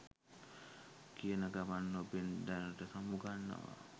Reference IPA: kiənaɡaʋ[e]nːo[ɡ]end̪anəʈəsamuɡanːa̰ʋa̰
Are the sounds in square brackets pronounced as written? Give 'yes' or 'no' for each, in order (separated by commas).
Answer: no, no